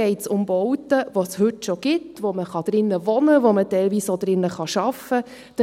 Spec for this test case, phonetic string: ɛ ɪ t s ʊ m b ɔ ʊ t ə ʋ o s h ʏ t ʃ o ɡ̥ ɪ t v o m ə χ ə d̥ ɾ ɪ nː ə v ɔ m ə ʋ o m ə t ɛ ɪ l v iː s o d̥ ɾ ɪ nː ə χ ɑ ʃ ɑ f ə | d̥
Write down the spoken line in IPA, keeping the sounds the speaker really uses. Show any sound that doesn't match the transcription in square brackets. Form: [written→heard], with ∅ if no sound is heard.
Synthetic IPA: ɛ ɪ t s ʊ m b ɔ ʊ t ə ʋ o s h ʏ t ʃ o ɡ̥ ɪ t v o m ə χ [ə→ɑ] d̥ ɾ ɪ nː ə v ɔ [m→n] ə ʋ o m ə t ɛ ɪ l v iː s o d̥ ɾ ɪ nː ə χ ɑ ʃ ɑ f ə | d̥